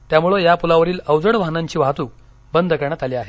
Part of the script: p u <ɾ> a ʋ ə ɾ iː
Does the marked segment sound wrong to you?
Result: yes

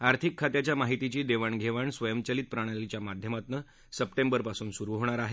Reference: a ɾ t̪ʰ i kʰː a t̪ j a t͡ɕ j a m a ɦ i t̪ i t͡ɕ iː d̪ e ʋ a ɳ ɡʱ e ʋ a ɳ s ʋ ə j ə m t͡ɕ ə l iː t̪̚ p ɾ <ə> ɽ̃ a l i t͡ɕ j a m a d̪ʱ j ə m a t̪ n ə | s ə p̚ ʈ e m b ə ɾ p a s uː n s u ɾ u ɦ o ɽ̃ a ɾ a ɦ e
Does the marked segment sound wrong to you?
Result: yes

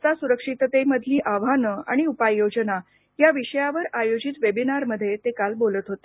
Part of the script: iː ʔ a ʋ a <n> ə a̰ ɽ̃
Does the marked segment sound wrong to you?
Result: no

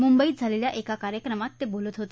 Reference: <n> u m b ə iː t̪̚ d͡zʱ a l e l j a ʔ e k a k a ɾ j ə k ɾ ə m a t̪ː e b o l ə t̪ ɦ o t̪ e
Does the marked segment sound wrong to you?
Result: yes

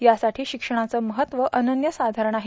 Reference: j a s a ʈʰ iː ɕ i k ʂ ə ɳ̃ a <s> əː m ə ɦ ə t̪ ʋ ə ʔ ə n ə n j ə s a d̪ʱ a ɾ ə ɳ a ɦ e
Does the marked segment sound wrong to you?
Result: yes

